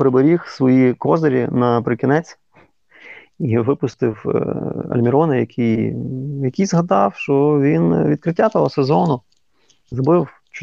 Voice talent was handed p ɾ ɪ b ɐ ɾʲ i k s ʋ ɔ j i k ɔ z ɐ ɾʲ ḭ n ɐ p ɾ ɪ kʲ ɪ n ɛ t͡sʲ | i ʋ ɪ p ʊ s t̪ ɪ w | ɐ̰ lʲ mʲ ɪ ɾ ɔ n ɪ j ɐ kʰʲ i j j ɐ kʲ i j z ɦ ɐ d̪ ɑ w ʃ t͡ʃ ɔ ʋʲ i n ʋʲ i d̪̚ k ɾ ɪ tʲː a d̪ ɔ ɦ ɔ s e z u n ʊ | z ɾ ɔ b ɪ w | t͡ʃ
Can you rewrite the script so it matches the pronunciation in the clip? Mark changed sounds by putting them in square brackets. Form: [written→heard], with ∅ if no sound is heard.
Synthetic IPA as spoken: p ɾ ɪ b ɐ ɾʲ i [k→x] s ʋ ɔ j i k ɔ z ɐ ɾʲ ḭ n ɐ p ɾ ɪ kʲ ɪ n ɛ t͡sʲ | i ʋ ɪ p ʊ s t̪ ɪ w | ɐ̰ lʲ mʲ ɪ ɾ ɔ n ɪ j ɐ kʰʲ i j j ɐ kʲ i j z ɦ ɐ d̪ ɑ w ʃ t͡ʃ ɔ ʋʲ i n ʋʲ i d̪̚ k ɾ ɪ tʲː a [d̪→t̪] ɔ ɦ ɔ s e z [u→ɔ] n ʊ | z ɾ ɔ b ɪ w | t͡ʃ